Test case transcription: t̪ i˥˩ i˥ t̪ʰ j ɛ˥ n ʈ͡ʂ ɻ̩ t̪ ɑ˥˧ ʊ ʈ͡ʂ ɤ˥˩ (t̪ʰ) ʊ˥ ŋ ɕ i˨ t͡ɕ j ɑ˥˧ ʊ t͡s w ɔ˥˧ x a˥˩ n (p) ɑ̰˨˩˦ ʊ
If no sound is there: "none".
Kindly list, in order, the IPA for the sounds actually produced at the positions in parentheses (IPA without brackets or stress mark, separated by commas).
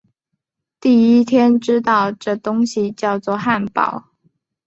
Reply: t̪, p